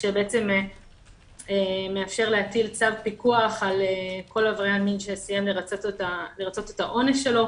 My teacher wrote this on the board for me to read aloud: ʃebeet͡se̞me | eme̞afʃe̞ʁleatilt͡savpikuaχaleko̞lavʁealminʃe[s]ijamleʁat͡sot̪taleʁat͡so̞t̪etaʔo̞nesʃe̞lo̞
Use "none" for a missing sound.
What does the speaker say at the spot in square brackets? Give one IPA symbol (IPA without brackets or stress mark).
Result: s